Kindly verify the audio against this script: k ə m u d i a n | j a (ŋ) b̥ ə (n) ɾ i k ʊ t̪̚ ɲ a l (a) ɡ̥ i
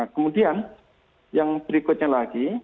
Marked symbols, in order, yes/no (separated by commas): yes, no, yes